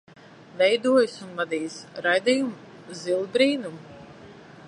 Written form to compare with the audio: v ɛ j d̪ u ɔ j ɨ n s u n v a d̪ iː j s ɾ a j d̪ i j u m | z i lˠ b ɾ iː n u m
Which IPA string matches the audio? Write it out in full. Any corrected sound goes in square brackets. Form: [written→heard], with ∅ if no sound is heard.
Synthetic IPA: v ɛ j d̪ u ɔ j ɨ [n→∅] s u n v a d̪ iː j s ɾ a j d̪ i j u m | z i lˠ b ɾ iː n u m